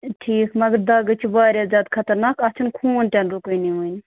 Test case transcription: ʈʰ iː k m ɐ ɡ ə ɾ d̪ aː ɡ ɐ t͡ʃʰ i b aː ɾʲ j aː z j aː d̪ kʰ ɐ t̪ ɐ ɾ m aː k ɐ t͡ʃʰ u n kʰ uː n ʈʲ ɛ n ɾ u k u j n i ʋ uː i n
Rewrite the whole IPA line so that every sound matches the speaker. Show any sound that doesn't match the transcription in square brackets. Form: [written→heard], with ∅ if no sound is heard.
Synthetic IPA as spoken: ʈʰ iː k m ɐ ɡ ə ɾ d̪ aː ɡ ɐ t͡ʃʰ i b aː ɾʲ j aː z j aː d̪ kʰ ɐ t̪ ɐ ɾ [m→n] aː k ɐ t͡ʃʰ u n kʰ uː n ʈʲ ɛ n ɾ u k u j n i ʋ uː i n